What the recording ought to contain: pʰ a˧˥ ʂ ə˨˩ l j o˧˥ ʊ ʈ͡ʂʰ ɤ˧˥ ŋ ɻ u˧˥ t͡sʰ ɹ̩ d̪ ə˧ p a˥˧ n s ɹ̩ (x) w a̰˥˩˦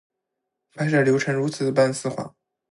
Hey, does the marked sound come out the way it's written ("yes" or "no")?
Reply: yes